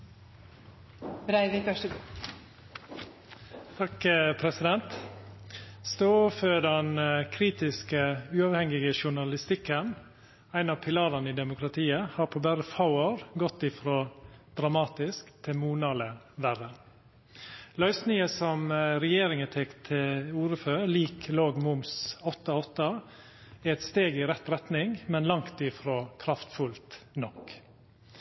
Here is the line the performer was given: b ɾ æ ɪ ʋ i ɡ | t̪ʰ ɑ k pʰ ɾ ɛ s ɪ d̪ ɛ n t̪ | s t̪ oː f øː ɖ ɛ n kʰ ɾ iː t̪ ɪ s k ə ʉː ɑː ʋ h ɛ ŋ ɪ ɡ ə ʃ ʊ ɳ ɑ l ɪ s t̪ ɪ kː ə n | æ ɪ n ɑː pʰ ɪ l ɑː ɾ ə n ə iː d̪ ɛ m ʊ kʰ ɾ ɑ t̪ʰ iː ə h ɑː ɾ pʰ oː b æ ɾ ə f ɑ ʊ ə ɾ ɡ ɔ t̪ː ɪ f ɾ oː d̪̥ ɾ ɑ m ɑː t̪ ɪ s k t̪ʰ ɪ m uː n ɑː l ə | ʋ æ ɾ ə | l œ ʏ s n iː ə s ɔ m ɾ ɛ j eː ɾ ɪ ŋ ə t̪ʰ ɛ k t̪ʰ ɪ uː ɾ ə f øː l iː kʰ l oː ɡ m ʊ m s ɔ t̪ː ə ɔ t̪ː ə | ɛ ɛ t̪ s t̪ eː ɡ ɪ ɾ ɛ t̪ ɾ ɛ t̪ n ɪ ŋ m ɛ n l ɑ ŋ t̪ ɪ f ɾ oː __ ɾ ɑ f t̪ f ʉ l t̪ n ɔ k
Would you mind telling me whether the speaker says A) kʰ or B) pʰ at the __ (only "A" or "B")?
A